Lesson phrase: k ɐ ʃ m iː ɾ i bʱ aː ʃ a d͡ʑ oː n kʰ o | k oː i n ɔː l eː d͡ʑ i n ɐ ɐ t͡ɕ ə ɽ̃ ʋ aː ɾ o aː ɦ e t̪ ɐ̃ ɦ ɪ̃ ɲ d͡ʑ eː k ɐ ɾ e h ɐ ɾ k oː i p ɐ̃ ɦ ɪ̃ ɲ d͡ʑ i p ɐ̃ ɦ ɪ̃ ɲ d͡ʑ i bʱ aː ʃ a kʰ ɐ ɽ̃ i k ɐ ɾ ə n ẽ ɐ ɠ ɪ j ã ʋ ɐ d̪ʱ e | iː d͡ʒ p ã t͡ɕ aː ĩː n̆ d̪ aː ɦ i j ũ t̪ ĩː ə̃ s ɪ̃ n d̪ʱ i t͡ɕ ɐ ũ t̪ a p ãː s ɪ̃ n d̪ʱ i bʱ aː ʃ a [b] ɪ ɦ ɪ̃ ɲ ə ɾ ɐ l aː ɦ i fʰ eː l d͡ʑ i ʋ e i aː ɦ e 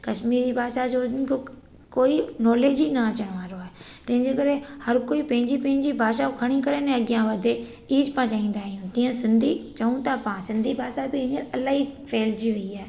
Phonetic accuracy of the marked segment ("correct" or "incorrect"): correct